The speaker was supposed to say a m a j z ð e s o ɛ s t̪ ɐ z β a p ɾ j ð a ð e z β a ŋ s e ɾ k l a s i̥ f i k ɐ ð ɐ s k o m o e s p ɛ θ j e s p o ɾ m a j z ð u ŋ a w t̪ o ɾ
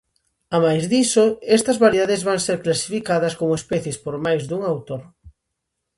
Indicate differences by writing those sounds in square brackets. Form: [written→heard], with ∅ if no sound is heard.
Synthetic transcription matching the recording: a m a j z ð [e→i] s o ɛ s t̪ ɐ z β a [p→∅] ɾ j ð a ð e z β a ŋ s e ɾ k l a s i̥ f i k [ɐ→a] ð ɐ s k o m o e s p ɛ θ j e s p o ɾ m a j z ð u ŋ a w t̪ o ɾ